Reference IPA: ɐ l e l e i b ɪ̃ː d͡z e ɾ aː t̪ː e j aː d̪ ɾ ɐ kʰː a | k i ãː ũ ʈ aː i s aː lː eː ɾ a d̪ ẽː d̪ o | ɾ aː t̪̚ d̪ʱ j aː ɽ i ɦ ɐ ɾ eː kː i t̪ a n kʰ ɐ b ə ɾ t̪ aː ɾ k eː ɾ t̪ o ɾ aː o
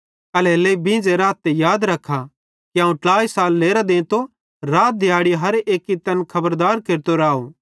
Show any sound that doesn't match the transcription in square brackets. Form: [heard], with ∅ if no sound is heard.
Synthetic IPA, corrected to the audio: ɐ l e l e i b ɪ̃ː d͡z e ɾ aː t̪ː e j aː d̪ ɾ ɐ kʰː a | k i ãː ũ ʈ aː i s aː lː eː ɾ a d̪ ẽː [t̪] o | ɾ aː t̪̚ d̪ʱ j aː ɽ i ɦ ɐ ɾ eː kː i t̪ [ɐ] n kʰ ɐ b ə ɾ [d̪] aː ɾ k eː ɾ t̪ o ɾ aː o